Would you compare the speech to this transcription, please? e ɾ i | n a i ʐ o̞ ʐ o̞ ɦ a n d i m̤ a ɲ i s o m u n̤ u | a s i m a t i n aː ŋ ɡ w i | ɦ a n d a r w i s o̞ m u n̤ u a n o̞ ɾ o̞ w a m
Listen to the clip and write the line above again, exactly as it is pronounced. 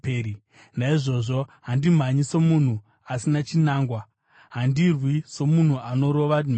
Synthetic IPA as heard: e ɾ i | n a i ʐ o̞ ʐ o̞ ɦ a n d i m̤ a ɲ i s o m u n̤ u | a s i n a t͡ʃ i n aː ŋ ɡ w a | ɦ a n d i r w i s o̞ m u n̤ u a n o̞ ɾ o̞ ʋ a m